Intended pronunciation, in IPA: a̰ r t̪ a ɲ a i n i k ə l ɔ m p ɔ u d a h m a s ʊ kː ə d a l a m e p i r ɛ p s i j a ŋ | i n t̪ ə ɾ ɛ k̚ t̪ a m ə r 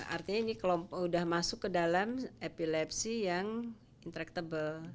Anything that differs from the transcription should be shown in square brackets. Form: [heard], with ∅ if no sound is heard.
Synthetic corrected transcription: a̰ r t̪ [i] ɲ a i n i k ə l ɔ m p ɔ u d a h m a s ʊ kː ə d a l a m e p i [l] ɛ p s i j a ŋ | i n t̪ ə ɾ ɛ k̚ t̪ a [b] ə [l]